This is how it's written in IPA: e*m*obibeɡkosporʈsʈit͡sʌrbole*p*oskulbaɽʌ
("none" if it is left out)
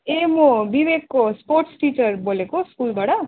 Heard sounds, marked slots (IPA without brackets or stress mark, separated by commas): m, k